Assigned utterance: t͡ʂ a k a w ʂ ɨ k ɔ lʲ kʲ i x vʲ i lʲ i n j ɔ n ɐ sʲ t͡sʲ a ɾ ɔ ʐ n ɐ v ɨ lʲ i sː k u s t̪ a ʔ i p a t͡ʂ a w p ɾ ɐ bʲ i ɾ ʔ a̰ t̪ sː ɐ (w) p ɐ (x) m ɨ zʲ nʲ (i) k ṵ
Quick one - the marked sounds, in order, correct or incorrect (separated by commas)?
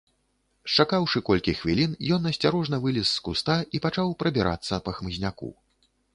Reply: incorrect, correct, incorrect